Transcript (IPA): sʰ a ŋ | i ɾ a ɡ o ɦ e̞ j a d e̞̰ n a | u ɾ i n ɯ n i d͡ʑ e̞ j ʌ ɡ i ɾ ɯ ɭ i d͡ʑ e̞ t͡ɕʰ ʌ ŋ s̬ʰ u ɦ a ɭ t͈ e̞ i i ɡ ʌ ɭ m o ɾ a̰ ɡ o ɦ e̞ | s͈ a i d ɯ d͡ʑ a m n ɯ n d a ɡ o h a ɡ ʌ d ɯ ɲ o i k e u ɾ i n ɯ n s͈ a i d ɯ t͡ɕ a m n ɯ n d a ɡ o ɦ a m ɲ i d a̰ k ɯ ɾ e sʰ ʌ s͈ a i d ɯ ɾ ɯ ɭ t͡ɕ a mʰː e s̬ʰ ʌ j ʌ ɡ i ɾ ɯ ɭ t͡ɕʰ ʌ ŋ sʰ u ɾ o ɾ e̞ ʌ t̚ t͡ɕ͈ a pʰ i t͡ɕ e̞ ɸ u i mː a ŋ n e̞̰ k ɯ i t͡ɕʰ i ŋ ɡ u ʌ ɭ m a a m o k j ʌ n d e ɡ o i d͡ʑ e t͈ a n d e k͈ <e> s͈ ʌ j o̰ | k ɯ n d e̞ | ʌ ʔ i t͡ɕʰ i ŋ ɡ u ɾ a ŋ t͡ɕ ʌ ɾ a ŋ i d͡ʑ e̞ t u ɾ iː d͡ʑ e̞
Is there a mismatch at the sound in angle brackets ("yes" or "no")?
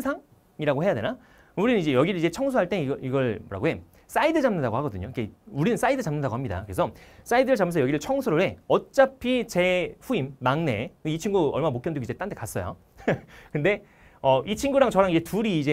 yes